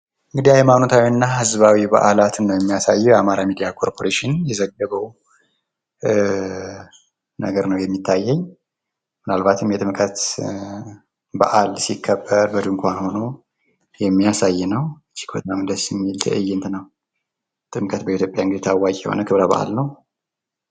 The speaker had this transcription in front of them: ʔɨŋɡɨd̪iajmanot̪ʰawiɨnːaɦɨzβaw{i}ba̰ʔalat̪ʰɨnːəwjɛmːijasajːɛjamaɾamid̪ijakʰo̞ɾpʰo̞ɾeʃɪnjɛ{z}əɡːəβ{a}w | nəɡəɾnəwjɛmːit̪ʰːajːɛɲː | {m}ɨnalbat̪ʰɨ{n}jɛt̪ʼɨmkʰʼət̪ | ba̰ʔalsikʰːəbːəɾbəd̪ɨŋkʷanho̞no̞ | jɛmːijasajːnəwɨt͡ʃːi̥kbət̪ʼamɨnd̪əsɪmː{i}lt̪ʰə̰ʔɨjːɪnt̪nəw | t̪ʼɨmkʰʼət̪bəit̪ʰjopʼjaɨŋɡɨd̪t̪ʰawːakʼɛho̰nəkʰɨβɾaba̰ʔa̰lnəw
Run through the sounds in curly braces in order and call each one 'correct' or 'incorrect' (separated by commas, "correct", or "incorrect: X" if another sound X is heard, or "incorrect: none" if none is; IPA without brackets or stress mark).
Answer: correct, correct, incorrect: ə, correct, incorrect: m, correct